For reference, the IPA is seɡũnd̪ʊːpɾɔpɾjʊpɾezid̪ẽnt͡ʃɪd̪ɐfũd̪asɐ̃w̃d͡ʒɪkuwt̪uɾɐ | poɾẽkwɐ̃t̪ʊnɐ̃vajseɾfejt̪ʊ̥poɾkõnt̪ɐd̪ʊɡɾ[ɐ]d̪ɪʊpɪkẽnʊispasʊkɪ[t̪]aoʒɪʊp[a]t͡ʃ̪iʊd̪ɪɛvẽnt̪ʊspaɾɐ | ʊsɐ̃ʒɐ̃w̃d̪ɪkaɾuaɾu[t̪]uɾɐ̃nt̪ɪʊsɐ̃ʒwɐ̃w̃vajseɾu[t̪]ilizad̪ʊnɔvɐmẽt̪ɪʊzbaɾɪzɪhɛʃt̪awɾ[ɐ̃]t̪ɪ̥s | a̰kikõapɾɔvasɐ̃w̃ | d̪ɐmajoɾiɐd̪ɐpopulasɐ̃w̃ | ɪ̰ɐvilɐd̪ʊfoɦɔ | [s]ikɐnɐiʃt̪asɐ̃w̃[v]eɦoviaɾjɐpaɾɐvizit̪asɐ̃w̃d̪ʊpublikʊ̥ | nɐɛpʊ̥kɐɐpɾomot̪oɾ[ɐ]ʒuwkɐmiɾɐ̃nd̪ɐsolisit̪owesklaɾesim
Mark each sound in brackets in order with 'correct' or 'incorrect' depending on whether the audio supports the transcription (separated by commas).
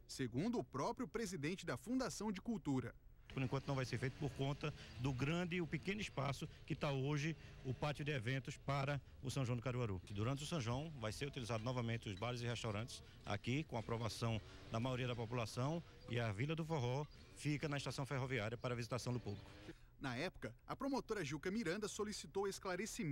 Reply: incorrect, correct, correct, incorrect, correct, correct, incorrect, incorrect, correct